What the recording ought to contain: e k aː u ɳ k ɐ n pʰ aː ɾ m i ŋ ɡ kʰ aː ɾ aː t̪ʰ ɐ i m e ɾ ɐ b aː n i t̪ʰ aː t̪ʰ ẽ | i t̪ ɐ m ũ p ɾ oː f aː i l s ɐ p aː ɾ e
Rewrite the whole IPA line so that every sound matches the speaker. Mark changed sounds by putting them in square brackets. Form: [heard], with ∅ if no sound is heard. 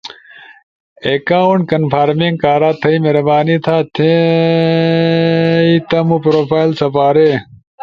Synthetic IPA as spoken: e k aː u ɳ k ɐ n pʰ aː ɾ m i ŋ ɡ [k] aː ɾ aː t̪ʰ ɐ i m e ɾ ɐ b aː n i t̪ʰ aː t̪ʰ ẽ | i t̪ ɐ m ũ p ɾ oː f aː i l s ɐ p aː ɾ e